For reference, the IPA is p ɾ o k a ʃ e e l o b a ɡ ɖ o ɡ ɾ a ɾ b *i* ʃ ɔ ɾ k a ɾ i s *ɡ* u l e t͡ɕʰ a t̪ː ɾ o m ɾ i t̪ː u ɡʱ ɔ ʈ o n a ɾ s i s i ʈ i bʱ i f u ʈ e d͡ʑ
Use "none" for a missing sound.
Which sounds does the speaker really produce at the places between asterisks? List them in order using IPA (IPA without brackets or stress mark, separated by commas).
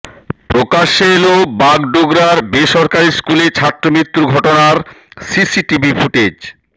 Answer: e, k